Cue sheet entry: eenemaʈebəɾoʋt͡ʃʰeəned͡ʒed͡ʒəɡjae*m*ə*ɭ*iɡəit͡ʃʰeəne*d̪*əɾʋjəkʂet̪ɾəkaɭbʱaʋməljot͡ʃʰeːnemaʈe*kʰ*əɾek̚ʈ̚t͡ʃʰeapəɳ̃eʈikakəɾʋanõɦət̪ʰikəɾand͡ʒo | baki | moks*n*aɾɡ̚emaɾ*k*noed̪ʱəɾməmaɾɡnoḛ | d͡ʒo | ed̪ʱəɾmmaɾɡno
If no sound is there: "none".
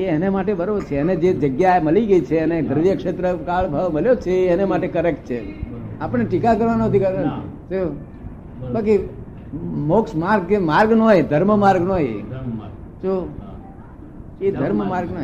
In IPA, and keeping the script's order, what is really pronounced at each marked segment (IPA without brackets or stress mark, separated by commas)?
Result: m, l, d̪, k, m, ɡ